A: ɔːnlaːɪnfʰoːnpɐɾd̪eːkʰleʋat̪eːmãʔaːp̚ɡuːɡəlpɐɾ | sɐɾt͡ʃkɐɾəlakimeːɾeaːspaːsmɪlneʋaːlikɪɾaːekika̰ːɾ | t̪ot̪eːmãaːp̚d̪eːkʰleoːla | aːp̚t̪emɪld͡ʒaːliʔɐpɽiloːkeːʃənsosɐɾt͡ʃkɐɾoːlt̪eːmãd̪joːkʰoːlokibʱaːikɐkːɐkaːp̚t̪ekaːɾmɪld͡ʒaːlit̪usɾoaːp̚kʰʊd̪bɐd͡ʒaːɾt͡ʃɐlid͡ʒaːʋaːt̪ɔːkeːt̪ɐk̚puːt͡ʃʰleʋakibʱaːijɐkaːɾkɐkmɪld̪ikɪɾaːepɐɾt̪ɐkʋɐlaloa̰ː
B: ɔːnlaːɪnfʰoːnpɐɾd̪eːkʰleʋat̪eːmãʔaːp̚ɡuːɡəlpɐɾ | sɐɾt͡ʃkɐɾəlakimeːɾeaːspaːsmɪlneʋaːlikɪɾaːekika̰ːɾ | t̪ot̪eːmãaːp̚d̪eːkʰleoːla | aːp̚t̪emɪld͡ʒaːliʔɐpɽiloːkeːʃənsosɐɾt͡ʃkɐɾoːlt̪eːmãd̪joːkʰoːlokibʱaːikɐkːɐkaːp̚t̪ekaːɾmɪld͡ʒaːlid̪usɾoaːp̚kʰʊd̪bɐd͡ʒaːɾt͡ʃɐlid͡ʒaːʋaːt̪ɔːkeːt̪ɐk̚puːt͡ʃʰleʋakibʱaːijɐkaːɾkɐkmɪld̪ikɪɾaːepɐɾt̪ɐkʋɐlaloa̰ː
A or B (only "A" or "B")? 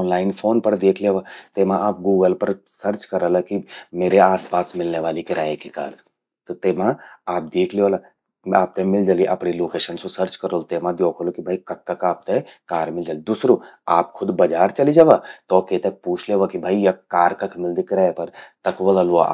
B